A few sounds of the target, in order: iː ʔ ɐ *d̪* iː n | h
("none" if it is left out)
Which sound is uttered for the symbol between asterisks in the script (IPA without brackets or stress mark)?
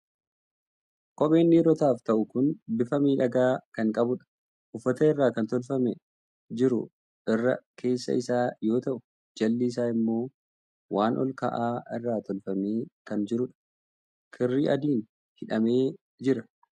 d̪